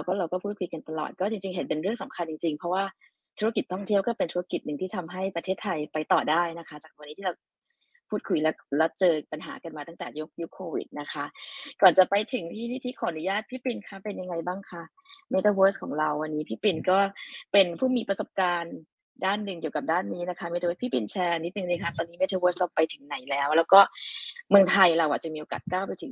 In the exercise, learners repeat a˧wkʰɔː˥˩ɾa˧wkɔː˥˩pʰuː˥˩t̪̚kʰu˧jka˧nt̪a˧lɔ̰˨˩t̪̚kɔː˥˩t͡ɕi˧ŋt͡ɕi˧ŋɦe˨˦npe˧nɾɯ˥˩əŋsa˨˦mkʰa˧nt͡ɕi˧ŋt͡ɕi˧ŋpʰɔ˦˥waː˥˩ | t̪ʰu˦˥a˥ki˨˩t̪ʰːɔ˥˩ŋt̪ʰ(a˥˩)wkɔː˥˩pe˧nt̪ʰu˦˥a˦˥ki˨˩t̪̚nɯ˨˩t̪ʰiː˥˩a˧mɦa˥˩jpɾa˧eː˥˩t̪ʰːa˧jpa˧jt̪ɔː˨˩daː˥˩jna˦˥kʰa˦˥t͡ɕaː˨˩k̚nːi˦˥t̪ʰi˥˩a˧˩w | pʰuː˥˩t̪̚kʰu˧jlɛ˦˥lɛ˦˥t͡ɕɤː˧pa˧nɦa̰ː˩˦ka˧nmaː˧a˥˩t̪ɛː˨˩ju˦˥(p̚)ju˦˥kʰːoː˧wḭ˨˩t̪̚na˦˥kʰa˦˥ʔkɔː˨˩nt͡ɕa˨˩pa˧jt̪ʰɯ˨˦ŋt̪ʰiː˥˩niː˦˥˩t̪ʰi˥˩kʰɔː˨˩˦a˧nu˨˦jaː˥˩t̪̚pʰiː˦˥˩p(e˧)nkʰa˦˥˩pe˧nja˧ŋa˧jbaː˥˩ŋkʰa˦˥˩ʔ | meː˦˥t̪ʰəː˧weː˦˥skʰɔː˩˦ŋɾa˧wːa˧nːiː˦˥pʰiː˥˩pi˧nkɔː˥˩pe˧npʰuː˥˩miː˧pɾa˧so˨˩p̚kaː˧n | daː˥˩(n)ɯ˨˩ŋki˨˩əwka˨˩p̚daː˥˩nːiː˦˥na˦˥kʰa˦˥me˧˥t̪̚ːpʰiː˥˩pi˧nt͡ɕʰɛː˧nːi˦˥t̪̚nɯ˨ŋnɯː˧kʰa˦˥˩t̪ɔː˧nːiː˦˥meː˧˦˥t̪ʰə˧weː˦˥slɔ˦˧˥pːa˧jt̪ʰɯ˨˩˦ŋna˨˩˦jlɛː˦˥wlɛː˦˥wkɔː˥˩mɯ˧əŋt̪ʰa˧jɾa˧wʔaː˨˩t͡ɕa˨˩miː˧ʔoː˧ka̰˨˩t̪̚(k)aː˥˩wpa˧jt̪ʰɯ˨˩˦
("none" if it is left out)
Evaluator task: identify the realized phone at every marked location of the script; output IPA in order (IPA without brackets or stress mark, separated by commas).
i˥˩, k̚, i˧, nː, k